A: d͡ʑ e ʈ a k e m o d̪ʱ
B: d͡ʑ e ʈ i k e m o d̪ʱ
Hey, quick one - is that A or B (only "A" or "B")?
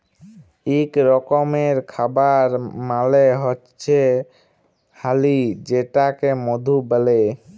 A